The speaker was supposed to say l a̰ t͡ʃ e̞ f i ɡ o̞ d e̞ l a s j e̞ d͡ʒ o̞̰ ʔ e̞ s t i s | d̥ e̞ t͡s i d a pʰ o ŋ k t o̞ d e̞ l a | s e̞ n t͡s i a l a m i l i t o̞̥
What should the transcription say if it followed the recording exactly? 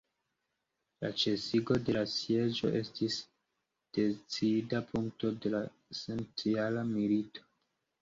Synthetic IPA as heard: l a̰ t͡ʃ e̞ s i ɡ o̞ d e̞ l a s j e̞ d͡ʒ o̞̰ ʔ e̞ s t i s | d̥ e̞ t͡s i d a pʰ u ŋ k t o̞ d e̞ l a | s e̞ n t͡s i a l a m i l i t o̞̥